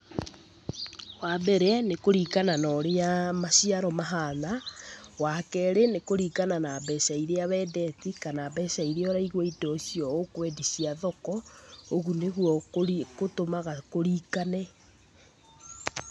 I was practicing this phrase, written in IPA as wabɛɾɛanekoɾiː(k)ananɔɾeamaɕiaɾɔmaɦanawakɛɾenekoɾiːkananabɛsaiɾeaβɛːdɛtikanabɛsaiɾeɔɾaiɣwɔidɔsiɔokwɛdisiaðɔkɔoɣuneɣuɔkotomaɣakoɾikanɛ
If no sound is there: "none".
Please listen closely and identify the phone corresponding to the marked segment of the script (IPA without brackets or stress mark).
k